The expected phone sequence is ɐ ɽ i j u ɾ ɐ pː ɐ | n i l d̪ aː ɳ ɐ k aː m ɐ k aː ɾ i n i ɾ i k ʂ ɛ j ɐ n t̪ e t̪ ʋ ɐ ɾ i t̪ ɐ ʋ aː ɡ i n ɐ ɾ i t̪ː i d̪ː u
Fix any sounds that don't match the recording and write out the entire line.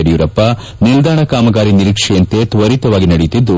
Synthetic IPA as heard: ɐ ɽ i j u ɾ ɐ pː ɐ | n i l d̪ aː ɳ ɐ k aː m ɐ ɡ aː ɾ i n i ɾ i k ʂ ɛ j ɐ n t̪ e t̪ ʋ ɐ ɾ i t̪ ɐ ʋ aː ɡ i n ɐ ɽ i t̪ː i d̪ː u